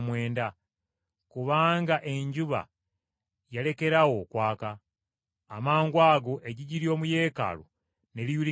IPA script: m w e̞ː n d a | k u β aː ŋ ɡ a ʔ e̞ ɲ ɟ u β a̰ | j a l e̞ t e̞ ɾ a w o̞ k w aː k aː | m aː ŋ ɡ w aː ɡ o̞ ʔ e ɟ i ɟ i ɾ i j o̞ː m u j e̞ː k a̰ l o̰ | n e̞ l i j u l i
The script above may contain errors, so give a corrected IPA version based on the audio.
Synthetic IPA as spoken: m w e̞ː n d a | k u β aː ŋ ɡ a ʔ e̞ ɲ ɟ u β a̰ | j a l e̞ k e̞ ɾ a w o̞ k w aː k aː | m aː ŋ ɡ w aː ɡ o̞ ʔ e ɟ i ɟ i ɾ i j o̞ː m u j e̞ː k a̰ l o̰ | n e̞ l i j u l i